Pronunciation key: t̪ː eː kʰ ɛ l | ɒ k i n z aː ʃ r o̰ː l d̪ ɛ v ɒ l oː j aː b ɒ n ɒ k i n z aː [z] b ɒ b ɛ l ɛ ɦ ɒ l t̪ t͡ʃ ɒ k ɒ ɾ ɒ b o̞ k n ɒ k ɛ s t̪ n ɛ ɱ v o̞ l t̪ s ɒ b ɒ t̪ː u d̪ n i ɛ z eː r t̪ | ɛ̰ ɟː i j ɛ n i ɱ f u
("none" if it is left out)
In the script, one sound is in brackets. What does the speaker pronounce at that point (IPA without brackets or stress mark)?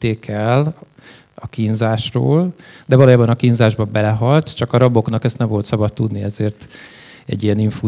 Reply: ʒ